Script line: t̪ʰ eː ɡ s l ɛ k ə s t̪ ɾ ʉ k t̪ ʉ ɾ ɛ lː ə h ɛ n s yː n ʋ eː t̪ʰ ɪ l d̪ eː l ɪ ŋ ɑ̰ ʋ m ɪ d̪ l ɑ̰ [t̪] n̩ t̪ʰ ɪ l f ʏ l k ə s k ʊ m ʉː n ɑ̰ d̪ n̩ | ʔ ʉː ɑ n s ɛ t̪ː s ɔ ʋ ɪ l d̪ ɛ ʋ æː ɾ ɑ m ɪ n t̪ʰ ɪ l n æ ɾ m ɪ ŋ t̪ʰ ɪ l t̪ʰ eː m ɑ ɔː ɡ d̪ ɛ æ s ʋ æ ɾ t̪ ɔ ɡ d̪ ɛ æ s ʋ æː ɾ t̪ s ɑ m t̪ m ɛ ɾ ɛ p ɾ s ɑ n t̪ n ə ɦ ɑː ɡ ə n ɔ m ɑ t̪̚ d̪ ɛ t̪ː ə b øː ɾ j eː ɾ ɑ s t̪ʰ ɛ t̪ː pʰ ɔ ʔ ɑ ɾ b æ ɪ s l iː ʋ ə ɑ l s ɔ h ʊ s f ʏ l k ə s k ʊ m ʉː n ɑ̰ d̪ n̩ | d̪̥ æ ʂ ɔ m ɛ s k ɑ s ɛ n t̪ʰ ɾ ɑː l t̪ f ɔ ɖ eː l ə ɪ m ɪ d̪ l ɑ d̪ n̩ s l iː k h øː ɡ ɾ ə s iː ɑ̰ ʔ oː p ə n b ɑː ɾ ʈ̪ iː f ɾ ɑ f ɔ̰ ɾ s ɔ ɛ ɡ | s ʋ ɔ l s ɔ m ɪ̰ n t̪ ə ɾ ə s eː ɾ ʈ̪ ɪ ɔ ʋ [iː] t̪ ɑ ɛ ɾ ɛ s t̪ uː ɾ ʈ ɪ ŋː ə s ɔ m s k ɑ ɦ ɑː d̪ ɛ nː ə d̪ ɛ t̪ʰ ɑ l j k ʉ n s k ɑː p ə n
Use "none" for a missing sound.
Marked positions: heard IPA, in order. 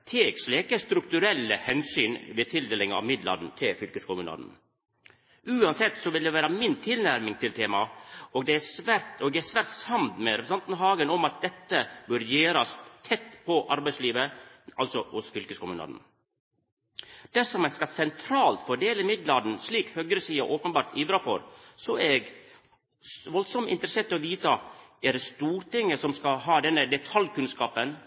d̪, iː

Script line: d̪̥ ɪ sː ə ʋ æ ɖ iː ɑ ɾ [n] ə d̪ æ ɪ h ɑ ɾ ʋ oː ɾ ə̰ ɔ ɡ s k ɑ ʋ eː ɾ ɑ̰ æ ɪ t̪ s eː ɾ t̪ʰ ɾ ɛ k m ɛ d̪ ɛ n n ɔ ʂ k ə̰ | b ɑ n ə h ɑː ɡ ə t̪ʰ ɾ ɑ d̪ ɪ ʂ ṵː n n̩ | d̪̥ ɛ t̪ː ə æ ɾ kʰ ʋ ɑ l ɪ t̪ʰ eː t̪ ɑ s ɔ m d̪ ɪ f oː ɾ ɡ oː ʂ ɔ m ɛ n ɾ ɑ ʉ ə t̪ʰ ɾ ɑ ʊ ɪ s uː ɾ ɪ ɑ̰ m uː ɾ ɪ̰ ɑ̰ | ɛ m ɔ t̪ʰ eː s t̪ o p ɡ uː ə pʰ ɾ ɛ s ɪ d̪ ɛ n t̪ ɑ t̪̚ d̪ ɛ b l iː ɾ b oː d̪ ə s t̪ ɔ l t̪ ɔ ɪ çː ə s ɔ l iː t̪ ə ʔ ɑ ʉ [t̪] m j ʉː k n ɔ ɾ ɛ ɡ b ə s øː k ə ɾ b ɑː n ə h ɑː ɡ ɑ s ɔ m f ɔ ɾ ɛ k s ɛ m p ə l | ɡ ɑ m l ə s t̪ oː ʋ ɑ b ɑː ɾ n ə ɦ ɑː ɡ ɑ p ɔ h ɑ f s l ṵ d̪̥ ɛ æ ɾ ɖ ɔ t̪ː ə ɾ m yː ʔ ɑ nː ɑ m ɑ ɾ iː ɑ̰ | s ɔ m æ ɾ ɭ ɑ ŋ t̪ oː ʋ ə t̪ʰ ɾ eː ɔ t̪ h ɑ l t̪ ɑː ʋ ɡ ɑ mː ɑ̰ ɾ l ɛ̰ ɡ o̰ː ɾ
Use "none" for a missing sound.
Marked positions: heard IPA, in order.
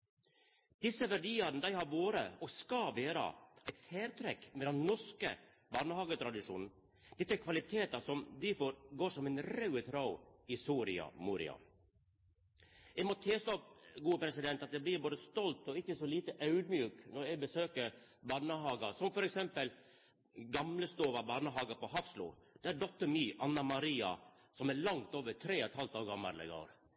n, d̪

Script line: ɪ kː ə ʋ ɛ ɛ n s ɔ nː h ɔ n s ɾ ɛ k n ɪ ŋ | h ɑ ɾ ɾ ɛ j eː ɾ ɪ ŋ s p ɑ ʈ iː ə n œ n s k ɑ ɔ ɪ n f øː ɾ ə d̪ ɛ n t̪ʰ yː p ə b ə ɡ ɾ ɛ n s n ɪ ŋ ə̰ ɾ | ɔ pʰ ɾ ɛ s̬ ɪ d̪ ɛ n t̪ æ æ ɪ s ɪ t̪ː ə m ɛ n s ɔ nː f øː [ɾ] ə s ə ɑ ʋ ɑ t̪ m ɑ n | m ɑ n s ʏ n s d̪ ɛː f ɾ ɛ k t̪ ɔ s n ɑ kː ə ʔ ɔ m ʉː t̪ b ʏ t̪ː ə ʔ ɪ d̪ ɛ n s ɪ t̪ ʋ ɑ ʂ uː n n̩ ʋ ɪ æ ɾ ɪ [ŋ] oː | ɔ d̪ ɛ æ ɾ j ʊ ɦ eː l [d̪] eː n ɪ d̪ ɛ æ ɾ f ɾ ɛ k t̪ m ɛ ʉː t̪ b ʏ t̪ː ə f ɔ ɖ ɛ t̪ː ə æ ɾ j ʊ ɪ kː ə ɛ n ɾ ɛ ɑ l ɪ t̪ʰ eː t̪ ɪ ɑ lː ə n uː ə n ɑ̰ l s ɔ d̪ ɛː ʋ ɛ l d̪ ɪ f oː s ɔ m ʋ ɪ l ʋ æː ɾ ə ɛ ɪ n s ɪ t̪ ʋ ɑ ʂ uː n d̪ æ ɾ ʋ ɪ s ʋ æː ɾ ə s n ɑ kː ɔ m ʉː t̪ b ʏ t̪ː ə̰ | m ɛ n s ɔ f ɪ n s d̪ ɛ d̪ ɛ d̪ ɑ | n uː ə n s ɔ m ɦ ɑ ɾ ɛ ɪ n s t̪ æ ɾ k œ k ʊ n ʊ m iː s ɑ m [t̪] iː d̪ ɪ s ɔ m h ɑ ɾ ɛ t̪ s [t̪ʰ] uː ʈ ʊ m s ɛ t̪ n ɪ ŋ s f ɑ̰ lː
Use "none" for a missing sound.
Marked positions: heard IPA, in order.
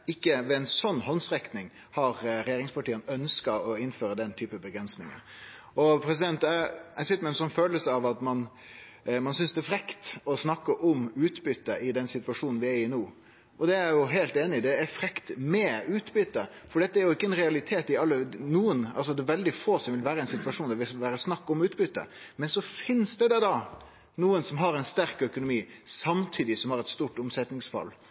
l, n, t̪, t̪ʰ, t̪

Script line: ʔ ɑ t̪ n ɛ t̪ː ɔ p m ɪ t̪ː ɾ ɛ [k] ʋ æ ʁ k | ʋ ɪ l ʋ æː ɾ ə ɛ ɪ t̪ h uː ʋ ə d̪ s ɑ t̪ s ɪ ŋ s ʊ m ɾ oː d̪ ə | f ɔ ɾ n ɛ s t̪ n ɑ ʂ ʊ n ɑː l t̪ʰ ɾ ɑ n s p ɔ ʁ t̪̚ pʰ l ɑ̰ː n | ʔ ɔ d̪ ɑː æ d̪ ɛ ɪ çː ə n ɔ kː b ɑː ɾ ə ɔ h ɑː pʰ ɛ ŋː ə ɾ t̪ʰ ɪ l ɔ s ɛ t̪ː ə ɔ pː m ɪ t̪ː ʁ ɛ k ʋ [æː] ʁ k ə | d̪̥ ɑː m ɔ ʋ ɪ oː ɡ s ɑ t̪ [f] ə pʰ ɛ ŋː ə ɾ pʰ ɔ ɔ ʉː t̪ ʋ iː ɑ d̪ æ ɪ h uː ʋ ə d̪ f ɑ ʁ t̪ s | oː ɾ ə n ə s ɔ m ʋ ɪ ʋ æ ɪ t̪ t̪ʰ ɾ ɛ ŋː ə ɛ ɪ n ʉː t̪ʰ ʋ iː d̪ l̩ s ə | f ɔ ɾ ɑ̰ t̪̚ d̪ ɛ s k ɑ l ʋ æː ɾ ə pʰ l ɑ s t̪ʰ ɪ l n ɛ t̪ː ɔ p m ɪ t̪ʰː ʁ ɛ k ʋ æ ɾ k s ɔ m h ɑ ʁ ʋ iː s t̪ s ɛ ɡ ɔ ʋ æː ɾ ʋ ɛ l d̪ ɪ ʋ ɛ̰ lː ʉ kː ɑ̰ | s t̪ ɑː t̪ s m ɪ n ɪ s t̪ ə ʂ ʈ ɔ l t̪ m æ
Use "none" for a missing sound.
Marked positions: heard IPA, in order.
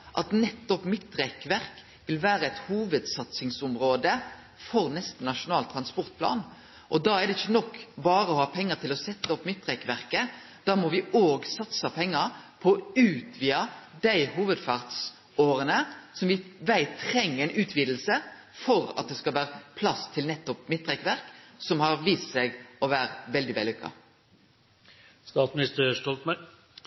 k, æ, s

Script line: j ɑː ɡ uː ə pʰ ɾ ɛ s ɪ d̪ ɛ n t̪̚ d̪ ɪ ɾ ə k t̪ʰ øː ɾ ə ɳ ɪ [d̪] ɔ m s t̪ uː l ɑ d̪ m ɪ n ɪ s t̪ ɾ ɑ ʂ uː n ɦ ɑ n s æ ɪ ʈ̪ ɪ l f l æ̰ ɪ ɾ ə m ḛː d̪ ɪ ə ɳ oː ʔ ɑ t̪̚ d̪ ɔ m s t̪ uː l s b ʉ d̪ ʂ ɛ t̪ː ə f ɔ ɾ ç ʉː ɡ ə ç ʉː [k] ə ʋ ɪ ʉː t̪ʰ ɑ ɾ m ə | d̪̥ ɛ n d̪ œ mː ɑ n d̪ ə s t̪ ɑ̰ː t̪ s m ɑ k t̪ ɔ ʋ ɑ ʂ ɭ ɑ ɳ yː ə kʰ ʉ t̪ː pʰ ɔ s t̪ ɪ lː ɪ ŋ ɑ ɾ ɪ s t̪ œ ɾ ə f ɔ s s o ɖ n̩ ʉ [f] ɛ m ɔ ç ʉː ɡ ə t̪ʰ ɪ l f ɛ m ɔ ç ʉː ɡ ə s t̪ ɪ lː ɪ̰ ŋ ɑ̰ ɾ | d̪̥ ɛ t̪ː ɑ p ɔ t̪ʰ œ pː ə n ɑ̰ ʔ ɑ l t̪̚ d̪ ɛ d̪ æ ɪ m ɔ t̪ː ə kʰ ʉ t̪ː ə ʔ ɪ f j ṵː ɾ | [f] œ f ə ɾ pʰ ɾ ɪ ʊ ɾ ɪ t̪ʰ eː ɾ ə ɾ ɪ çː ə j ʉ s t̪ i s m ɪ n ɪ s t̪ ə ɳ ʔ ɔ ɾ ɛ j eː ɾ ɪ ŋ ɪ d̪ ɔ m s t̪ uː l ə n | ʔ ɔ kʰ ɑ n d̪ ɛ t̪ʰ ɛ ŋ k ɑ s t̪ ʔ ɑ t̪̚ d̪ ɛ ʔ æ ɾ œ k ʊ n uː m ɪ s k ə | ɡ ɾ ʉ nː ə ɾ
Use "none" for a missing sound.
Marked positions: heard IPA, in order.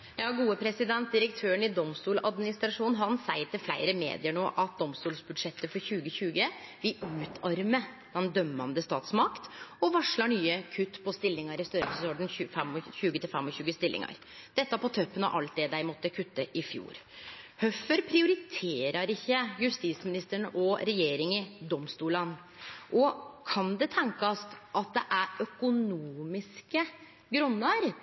d̪, ɡ, f, h

